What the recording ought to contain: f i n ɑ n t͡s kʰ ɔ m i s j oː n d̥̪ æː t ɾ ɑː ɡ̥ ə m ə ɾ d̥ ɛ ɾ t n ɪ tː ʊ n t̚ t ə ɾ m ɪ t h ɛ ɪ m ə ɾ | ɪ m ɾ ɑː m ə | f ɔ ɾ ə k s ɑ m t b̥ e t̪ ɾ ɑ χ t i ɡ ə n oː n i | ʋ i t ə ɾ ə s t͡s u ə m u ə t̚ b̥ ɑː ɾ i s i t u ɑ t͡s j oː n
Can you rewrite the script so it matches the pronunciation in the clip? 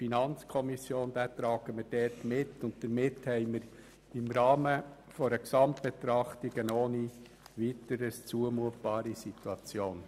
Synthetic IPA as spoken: f i n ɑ n t͡s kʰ ɔ m i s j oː n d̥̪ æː t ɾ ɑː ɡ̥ ə m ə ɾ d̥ ɛ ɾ t m ɪ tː ʊ n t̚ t ə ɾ m ɪ t h ɛ ɪ m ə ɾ | ɪ m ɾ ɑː m ə | f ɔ ɾ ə k s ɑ m t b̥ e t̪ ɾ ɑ χ t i ɡ ə n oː n i | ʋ i t ə ɾ ə s t͡s u ə m u ə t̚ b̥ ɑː ɾ i s i t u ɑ t͡s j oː n